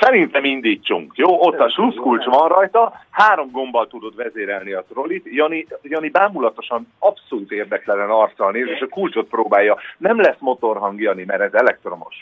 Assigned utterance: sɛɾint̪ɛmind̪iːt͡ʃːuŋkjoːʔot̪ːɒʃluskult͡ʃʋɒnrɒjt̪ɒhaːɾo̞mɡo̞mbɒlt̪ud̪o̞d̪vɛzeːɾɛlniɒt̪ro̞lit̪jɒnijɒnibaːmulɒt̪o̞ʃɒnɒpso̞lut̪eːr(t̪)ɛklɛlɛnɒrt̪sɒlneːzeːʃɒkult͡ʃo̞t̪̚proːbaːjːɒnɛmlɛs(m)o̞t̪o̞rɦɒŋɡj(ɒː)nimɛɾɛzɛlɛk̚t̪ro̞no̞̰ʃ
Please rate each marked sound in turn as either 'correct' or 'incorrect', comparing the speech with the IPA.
incorrect: d̪, correct, incorrect: ɒ

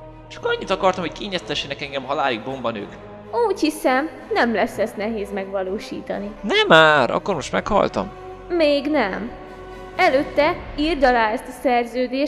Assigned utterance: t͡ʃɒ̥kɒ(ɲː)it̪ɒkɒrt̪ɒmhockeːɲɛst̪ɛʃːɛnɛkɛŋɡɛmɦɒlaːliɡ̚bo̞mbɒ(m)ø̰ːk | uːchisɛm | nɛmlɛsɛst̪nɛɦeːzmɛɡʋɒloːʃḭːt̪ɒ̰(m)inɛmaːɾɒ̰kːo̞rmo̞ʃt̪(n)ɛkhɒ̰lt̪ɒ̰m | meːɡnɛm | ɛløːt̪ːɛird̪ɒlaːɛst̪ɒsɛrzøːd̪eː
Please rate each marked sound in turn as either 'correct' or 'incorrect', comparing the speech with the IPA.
correct, incorrect: n, incorrect: n, incorrect: m

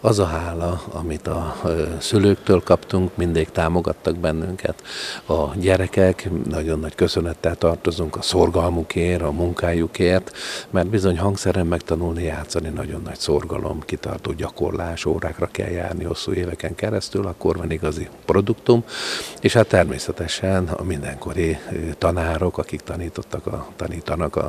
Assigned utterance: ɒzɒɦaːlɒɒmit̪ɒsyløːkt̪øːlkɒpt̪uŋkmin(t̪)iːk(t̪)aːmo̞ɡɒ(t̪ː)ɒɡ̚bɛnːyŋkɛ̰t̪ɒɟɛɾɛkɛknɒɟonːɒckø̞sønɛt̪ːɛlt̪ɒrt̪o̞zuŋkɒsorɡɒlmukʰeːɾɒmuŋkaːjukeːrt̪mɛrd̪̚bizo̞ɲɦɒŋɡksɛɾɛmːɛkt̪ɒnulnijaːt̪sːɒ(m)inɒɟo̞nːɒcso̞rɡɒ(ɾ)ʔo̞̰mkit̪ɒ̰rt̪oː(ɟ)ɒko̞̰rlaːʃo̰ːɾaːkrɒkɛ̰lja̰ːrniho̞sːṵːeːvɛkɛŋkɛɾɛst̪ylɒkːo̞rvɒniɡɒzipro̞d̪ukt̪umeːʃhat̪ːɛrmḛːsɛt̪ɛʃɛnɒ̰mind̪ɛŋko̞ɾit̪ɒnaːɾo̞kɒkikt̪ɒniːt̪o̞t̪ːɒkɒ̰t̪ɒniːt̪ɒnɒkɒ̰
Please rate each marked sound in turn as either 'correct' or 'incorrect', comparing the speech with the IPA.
incorrect: d̪, correct, correct, incorrect: n, incorrect: l, correct

